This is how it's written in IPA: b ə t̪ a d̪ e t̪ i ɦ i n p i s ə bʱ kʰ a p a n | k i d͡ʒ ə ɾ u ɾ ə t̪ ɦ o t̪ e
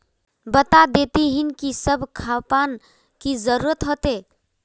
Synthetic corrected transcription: b ə t̪ a d̪ e t̪ i ɦ i n k i s ə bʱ kʰ a p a n | k i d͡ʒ ə ɾ u ɾ ə t̪ ɦ o t̪ e